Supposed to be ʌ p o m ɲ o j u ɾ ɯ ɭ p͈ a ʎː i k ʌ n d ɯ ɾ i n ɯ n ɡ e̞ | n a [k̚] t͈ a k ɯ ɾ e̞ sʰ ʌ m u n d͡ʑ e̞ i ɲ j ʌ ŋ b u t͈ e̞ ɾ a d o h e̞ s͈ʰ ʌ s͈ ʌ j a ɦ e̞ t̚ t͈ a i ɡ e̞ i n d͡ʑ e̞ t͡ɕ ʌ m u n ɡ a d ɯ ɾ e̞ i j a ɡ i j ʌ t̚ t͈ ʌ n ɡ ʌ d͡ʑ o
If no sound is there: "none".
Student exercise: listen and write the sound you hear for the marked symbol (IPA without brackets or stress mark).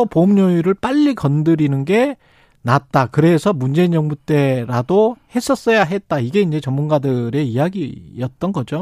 t̚